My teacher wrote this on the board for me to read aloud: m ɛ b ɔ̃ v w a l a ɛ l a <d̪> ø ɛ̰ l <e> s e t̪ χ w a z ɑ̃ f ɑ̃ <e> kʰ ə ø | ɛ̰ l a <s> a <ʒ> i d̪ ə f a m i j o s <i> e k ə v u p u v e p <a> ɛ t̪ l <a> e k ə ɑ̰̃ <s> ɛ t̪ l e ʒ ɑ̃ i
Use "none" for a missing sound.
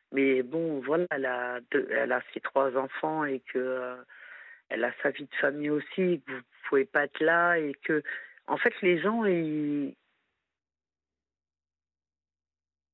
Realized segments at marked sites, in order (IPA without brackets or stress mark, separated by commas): d̪, a, e, s, v, i, a, a, f